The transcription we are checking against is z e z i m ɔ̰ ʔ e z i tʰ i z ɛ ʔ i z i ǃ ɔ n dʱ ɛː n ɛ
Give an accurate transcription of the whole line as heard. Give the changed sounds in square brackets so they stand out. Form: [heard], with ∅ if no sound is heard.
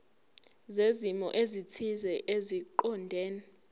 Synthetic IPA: z e z i m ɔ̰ ʔ e z i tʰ i z ɛ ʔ [e] z i ǃ ɔ n dʱ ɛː n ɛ